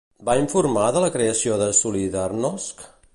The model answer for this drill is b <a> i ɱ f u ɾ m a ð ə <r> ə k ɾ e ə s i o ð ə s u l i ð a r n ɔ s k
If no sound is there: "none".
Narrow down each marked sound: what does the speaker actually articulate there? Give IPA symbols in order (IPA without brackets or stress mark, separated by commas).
a, l